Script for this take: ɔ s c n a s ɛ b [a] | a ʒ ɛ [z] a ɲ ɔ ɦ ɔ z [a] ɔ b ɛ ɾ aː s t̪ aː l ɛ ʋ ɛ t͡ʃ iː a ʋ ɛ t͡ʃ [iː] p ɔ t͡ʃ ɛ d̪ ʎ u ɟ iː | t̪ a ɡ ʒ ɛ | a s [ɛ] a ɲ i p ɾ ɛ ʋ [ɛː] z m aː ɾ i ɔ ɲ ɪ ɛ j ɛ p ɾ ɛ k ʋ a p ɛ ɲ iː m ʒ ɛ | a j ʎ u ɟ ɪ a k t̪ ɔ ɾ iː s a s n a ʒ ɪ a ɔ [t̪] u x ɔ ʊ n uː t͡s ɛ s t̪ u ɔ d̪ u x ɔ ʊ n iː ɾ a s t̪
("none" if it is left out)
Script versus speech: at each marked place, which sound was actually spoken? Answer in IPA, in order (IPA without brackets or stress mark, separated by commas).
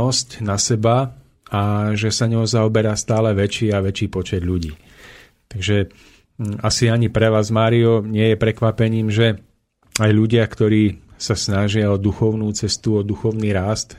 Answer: a, s, a, iː, i, aː, d̪